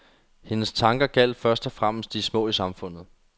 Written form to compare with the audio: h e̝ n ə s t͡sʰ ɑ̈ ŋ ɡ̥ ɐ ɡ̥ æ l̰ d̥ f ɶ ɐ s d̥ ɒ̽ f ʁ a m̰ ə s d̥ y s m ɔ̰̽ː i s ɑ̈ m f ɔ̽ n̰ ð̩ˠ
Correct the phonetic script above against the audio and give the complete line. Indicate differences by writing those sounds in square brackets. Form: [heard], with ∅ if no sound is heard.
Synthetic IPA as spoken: h e̝ n ə s t͡sʰ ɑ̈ ŋ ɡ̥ ɐ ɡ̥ æ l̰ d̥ f ɶ ɐ s d̥ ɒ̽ f ʁ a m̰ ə s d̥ [i] s m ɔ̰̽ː i s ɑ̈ m f ɔ̽ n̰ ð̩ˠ